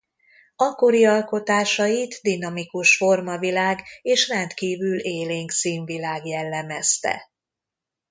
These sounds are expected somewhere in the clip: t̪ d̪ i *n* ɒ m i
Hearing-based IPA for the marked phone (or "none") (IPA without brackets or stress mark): n